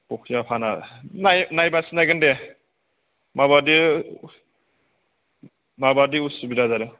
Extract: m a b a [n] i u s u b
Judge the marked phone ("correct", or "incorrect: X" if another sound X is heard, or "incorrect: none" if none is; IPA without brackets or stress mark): incorrect: d